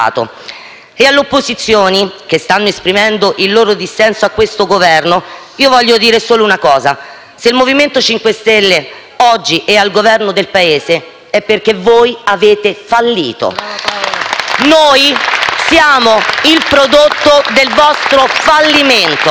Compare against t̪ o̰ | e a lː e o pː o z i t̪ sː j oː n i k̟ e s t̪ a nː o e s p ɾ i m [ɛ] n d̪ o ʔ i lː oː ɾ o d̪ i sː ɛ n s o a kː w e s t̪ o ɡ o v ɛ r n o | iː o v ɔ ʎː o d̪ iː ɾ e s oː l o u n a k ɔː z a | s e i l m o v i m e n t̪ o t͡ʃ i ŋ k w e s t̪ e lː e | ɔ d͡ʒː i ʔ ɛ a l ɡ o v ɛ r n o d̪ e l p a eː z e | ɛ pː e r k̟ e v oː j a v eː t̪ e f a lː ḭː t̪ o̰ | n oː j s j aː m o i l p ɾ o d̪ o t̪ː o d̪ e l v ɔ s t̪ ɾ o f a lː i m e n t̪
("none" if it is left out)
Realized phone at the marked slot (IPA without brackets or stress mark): ɛ